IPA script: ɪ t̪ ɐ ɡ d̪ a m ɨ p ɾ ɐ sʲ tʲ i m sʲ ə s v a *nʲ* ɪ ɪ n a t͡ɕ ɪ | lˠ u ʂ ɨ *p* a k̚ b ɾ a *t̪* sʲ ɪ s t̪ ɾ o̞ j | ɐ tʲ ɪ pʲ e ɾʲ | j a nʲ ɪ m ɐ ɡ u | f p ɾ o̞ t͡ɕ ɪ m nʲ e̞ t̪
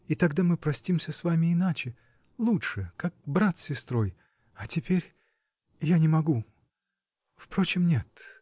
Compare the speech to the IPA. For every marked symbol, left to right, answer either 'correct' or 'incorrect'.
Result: incorrect, incorrect, correct

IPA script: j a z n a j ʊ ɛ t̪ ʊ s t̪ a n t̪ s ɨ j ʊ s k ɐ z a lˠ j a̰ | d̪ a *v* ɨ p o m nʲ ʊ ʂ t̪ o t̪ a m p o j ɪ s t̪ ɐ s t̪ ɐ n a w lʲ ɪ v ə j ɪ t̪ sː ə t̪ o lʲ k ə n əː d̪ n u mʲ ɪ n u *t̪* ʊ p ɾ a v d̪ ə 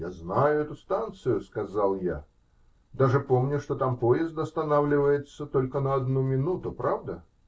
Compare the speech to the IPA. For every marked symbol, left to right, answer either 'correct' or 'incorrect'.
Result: incorrect, correct

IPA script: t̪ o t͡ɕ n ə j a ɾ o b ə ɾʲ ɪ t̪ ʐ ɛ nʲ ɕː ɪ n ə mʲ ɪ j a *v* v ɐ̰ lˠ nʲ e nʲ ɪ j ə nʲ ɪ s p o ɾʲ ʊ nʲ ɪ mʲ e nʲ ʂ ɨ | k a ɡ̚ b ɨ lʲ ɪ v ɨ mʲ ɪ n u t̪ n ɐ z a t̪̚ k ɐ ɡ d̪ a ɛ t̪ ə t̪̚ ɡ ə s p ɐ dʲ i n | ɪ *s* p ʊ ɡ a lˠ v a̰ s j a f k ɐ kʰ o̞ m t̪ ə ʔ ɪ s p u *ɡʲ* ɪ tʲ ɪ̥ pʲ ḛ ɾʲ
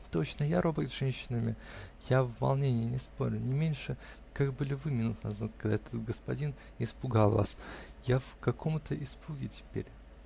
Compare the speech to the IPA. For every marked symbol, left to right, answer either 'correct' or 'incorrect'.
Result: correct, correct, correct

